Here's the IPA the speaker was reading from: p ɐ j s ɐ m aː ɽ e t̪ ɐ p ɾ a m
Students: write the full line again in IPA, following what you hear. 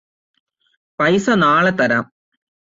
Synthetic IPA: p ɐ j s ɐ n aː ɭ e t̪ ɐ ɾ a m